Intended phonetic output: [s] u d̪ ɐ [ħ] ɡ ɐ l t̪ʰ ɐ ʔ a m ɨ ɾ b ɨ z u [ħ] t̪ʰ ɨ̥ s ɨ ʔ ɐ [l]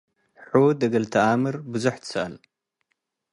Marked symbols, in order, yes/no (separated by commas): no, no, yes, yes